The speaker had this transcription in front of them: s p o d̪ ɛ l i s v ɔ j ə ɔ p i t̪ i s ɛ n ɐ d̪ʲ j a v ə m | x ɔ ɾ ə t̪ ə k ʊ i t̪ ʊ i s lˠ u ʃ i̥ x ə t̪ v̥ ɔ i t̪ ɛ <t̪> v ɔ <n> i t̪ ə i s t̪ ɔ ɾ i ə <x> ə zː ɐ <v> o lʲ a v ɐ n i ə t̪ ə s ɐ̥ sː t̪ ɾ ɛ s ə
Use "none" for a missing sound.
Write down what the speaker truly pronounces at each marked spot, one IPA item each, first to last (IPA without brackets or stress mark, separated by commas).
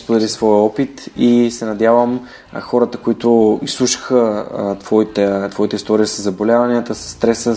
t̪, none, s, b